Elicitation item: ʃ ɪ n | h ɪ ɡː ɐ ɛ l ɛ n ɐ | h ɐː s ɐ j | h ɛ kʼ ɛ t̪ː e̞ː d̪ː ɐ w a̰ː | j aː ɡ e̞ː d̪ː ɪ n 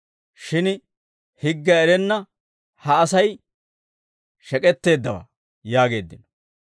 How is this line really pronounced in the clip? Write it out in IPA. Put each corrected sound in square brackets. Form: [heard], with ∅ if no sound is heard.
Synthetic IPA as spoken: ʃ ɪ n | h ɪ ɡː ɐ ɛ [ɾ] ɛ [nː] ɐ | h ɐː s ɐ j | [ʃ] ɛ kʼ ɛ t̪ː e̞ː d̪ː ɐ w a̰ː | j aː ɡ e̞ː d̪ː ɪ n